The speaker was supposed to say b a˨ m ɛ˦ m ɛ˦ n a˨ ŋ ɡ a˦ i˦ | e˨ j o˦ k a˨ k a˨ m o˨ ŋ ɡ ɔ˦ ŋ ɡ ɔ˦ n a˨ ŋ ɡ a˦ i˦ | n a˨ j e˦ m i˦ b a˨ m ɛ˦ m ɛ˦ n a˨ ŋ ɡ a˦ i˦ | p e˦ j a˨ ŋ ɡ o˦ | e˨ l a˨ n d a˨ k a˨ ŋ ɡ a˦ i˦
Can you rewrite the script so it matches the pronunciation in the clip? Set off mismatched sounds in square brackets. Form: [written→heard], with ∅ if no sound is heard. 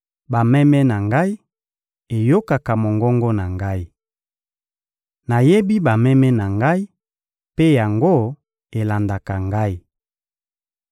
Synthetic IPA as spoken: b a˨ m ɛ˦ m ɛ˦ n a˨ ŋ ɡ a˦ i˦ | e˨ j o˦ k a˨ k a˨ m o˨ ŋ ɡ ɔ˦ ŋ ɡ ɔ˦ n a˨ ŋ ɡ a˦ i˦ | n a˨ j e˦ [m→b] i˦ b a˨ m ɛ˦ m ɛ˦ n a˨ ŋ ɡ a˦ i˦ | p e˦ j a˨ ŋ ɡ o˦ | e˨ l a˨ n d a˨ k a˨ ŋ ɡ a˦ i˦